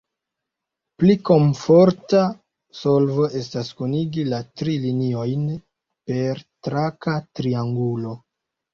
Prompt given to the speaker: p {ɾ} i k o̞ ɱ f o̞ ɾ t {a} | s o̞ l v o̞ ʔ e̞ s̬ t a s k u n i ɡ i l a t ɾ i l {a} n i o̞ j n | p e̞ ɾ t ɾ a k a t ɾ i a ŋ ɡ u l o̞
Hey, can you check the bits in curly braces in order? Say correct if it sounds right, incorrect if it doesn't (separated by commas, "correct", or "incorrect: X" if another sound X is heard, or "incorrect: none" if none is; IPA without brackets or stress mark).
incorrect: l, correct, incorrect: i